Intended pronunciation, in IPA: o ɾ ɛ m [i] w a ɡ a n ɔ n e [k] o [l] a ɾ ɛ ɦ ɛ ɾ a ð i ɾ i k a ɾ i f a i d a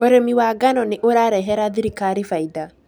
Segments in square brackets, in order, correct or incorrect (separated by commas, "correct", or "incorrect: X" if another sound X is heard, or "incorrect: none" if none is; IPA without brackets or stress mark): correct, incorrect: ʔ, incorrect: ɾ